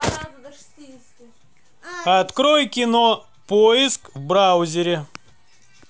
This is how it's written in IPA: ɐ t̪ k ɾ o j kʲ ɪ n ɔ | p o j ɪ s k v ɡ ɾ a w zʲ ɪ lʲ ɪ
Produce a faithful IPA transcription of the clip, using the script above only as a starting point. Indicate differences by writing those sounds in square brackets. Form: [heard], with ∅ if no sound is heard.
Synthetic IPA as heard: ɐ t̪ k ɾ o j kʲ ɪ n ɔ | p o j ɪ s k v [b] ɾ a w zʲ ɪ [ɾʲ] ɪ

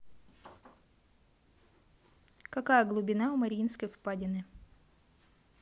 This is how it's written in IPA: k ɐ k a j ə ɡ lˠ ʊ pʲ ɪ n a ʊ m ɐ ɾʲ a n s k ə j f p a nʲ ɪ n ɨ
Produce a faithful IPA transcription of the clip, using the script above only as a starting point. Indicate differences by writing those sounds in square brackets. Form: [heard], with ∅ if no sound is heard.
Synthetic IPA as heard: k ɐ k a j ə ɡ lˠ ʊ [bʲ] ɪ n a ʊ m ɐ ɾʲ [i] n s k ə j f p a [dʲ] ɪ n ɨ

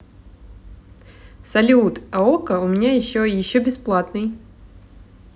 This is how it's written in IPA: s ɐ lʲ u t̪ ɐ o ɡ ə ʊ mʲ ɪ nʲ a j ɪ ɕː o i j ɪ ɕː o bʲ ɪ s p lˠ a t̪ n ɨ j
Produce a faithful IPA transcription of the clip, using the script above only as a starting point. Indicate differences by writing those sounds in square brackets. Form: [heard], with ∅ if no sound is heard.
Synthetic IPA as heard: s ɐ lʲ u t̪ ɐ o [k] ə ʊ mʲ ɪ nʲ a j ɪ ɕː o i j ɪ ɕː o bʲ ɪ s p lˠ a t̪ n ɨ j

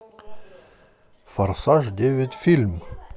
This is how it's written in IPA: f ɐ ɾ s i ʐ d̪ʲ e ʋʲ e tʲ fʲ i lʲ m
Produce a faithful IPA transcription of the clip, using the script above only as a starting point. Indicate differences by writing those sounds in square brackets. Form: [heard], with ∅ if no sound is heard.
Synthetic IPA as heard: f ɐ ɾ s [a] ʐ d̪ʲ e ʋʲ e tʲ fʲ i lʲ m

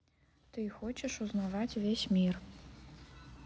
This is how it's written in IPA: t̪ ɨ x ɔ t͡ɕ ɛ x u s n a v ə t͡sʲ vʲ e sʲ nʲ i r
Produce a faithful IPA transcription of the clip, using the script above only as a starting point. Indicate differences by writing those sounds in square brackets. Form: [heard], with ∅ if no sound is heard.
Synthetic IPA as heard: t̪ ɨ x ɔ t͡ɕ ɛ [ʂ] u [z] n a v [a] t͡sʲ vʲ e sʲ [mʲ] i r

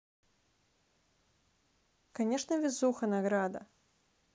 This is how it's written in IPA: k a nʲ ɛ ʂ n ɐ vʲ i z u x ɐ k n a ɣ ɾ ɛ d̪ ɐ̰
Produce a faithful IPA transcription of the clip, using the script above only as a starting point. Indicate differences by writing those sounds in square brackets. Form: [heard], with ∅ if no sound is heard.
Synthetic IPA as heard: k a nʲ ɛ ʂ n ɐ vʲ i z u x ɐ [∅] n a ɣ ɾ [a] d̪ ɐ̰

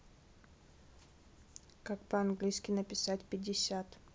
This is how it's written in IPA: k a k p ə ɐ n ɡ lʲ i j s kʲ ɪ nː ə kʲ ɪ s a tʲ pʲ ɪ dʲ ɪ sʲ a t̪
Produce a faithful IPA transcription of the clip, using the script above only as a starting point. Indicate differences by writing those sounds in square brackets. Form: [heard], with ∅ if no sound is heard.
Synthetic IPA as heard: k a k p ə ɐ n ɡ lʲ i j s kʲ ɪ [n] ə [pʲ] ɪ s a tʲ pʲ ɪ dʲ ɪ sʲ a t̪

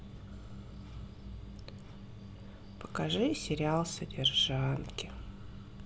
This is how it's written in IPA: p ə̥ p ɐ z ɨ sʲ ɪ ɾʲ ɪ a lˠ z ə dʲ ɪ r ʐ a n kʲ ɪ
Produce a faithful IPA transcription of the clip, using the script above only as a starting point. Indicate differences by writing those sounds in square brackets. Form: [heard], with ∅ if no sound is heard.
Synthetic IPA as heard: p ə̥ [k] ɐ [ʐ] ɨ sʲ ɪ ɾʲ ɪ a lˠ [s] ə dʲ ɪ r ʐ a n kʲ ɪ

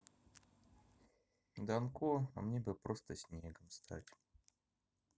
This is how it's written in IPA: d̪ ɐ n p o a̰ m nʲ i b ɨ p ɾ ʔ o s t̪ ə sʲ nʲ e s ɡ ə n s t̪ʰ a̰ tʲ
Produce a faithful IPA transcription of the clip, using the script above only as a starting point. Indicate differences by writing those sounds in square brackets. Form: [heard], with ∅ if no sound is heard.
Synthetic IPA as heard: d̪ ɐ n [k] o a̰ m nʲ [e] b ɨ p ɾ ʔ o s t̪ ə sʲ nʲ e [∅] ɡ ə [m] s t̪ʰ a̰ tʲ

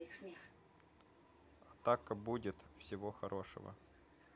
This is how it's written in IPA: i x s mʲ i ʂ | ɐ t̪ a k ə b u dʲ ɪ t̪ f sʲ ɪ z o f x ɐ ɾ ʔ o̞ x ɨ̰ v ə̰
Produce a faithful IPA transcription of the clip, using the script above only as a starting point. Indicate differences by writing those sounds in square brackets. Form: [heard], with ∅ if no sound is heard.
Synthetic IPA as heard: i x s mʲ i [x] | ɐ t̪ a k ə b u dʲ ɪ t̪ f sʲ ɪ [v] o [∅] x ɐ ɾ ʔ o̞ [ʂ] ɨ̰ v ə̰

